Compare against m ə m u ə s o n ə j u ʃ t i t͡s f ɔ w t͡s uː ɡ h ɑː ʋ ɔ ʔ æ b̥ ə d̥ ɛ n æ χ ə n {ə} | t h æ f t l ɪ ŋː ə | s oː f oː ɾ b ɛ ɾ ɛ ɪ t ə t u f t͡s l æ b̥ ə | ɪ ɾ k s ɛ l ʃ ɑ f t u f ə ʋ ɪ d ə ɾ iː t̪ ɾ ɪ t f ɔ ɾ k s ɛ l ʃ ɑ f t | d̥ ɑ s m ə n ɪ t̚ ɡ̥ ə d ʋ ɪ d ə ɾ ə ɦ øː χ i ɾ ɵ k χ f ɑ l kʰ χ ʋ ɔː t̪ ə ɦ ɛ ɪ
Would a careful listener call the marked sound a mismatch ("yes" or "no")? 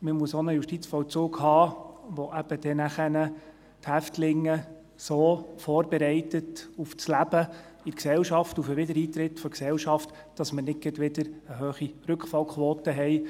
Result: no